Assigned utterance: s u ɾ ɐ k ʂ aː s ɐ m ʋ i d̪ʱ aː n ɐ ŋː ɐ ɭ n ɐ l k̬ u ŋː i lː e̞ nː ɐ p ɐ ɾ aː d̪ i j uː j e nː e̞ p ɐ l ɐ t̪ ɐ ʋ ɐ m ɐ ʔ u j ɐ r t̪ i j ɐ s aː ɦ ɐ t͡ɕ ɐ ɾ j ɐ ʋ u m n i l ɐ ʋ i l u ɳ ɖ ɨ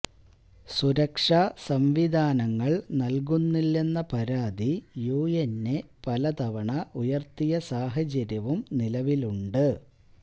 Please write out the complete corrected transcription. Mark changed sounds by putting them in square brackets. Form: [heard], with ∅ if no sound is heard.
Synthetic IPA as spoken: s u ɾ ɐ k ʂ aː s ɐ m ʋ i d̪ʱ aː n ɐ ŋː ɐ ɭ n ɐ l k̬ u [nː] i lː e̞ nː ɐ p ɐ ɾ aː d̪ i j uː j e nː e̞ p ɐ l ɐ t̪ ɐ ʋ ɐ [ɳ] ɐ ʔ u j ɐ r t̪ i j ɐ s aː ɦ ɐ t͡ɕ ɐ ɾ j ɐ ʋ u m n i l ɐ ʋ i l u ɳ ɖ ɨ